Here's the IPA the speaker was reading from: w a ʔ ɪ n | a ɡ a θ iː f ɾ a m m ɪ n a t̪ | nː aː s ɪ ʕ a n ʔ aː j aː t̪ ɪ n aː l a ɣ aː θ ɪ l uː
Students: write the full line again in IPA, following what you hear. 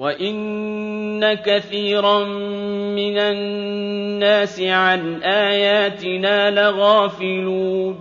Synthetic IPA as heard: w a ʔ ɪ nː | a k a θ iː ɾ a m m ɪ n a | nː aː s ɪ ʕ a n ʔ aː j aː t̪ ɪ n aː l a ɣ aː f ɪ l uː